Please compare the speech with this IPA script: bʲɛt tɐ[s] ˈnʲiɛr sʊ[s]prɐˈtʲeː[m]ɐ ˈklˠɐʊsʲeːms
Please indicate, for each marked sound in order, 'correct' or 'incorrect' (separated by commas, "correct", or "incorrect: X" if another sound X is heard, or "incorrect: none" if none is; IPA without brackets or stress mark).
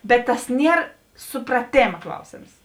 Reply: correct, incorrect: none, correct